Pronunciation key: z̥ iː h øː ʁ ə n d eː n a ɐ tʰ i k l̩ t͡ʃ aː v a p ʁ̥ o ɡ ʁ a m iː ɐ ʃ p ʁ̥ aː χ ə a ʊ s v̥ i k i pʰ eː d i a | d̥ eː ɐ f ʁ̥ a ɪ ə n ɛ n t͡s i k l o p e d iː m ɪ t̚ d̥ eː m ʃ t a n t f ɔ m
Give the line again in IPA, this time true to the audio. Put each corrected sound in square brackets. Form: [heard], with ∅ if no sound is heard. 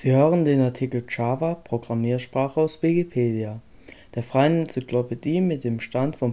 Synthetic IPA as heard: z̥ iː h øː ʁ ə n d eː n a ɐ tʰ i k l̩ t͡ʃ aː v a p ʁ̥ o ɡ ʁ a m iː ɐ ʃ p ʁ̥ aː χ ə a ʊ s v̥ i k i pʰ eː d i a | d̥ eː ɐ f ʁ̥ a ɪ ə n ɛ n t͡s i k l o p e d iː m ɪ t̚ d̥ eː m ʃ t a n t f ɔ m